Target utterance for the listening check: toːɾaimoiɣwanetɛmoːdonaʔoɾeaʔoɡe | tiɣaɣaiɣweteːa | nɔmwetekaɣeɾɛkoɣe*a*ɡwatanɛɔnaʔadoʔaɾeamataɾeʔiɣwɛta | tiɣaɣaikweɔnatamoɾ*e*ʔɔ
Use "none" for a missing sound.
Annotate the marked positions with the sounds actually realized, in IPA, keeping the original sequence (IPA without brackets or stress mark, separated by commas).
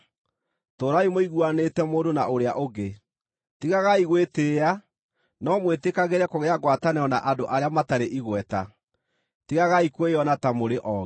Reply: a, e